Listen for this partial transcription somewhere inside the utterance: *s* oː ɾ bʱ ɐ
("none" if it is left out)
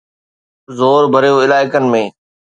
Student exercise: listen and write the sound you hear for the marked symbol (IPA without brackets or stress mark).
z